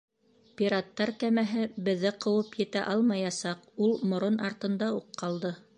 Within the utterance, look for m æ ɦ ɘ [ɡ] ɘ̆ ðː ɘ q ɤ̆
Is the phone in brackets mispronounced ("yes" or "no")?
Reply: yes